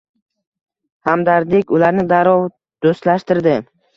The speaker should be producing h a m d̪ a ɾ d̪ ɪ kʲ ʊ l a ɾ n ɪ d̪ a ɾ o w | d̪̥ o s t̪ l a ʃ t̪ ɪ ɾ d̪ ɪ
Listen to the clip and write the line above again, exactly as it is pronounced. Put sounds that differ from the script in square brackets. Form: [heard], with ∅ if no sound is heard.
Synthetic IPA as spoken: h a m d̪ a ɾ d̪ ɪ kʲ ʊ l a ɾ n ɪ d̪ a ɾ [ɒ] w | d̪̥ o s t̪ l a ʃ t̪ ɪ ɾ d̪ ɪ

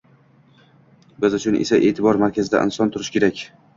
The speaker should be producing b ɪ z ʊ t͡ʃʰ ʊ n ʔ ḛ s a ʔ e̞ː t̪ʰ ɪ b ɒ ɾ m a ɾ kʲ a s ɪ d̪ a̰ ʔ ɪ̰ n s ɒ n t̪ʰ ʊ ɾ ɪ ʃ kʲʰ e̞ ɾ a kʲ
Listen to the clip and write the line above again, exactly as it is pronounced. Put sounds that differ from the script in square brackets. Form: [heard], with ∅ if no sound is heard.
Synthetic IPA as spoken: b ɪ z ʊ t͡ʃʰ ʊ n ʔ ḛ s a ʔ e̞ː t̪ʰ ɪ b ɒ ɾ m a ɾ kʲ a [z] ɪ d̪ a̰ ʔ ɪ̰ n s ɒ n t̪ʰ ʊ ɾ ɪ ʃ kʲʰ e̞ ɾ a kʲ

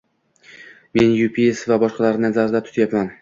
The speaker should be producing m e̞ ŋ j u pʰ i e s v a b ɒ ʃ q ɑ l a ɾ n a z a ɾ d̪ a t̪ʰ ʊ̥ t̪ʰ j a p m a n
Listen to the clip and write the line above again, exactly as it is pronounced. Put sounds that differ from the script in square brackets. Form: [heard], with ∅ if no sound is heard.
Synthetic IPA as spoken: m e̞ [n] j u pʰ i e s v a b ɒ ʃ q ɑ l a ɾ n a z a ɾ d̪ a t̪ʰ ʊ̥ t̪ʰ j a p m a n

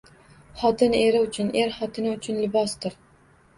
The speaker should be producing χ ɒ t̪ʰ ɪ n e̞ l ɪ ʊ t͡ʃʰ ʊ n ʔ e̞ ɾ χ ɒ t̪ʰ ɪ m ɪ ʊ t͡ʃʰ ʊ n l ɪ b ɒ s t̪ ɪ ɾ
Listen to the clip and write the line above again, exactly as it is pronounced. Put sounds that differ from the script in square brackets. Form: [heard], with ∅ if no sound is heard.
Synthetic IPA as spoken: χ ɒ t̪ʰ ɪ n e̞ [ɾ] ɪ ʊ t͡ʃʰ ʊ n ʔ e̞ ɾ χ ɒ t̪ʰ ɪ [n] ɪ ʊ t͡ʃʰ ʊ n l ɪ b ɒ s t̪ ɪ ɾ

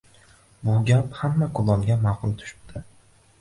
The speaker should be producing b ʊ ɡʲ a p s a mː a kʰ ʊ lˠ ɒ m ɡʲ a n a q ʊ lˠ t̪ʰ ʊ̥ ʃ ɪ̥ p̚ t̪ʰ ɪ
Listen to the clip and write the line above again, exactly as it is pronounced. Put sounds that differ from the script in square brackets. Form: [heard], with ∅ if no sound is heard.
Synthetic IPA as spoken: b ʊ ɡʲ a p [h] a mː a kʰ ʊ lˠ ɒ m ɡʲ a [m] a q ʊ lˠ t̪ʰ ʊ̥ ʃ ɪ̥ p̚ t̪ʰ ɪ

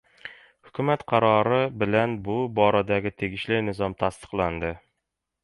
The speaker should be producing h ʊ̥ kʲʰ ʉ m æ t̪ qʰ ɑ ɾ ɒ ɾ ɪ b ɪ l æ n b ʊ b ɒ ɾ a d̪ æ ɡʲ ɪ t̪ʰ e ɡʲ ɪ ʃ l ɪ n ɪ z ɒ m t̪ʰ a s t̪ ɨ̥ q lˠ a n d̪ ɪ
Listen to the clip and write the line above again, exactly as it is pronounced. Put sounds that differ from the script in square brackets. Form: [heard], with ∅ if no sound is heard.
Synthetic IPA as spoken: h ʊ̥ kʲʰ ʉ m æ t̪ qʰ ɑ ɾ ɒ ɾ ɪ b ɪ l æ n b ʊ b ɒ ɾ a d̪ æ ɡʲ ɪ t̪ʰ e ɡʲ ɪ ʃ l ɪ n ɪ z ɒ m t̪ʰ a s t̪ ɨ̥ q lˠ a n d̪ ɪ

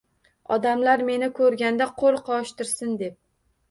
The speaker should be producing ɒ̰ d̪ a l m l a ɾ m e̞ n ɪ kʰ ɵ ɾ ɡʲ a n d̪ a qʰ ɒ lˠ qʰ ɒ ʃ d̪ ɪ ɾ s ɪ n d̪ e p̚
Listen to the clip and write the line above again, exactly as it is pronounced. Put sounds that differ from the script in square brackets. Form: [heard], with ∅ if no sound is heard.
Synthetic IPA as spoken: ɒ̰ d̪ a [∅] m l a ɾ m e̞ n ɪ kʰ ɵ ɾ ɡʲ a n d̪ a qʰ [o] lˠ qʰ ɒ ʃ [t̪] ɪ ɾ s ɪ n d̪ e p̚

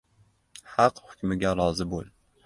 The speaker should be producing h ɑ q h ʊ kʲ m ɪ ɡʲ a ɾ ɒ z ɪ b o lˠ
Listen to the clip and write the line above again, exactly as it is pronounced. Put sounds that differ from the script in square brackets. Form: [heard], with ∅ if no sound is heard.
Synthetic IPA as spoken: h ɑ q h ʊ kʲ m ɪ ɡʲ a ɾ ɒ z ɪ b o lˠ

